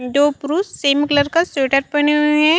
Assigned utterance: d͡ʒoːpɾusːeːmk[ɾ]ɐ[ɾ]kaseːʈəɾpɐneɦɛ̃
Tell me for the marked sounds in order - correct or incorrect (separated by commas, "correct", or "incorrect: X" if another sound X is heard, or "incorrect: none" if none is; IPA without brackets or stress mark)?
incorrect: l, correct